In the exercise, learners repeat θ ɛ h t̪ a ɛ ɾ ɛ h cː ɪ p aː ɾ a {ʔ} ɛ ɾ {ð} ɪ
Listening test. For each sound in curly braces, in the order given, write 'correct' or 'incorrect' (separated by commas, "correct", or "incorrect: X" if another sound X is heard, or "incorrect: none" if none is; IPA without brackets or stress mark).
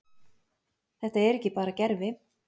incorrect: c, incorrect: v